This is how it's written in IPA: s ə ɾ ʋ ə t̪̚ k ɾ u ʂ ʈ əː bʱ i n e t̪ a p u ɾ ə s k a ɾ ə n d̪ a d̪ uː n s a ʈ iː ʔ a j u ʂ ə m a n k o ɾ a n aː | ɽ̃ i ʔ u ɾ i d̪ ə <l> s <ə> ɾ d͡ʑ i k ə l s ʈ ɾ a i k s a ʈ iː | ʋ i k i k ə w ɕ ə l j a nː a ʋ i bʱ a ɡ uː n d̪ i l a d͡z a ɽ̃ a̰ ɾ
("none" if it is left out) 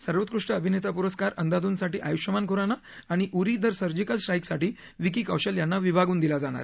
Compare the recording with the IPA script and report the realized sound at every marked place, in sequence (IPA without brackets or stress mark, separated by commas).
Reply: ɾ, ə